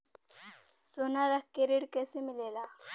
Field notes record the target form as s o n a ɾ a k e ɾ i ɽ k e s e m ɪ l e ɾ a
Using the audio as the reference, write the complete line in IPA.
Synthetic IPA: s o n a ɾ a k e ɾ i ɽ k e s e m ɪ l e l a